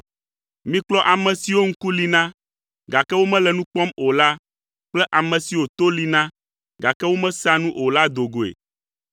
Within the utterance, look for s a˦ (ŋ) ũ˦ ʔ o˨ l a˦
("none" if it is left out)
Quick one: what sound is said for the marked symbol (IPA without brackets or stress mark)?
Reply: n